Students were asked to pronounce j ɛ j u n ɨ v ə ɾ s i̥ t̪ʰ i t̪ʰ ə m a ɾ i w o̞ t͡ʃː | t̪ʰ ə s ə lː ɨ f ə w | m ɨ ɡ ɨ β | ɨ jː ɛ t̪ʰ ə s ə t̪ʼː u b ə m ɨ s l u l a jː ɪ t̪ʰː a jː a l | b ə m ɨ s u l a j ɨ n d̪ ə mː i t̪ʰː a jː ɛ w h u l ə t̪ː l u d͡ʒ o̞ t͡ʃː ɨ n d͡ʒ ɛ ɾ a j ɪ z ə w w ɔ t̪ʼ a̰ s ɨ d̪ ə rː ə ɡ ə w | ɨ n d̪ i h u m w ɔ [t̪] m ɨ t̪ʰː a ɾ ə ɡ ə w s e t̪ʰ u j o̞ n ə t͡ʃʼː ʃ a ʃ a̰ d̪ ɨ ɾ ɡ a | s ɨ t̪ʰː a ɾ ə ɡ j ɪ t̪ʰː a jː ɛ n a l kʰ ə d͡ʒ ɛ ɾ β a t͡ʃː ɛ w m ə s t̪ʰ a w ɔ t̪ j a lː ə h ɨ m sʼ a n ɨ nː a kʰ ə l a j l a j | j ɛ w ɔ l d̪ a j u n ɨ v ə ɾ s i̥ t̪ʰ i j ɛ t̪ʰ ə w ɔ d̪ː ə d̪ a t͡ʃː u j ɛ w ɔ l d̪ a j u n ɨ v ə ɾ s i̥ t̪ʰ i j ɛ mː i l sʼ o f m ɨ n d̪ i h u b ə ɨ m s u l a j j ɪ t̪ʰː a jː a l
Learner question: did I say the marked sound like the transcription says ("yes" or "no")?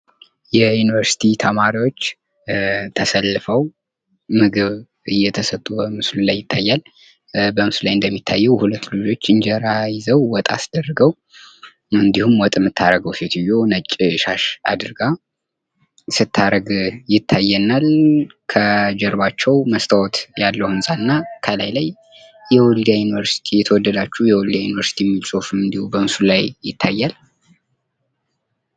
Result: no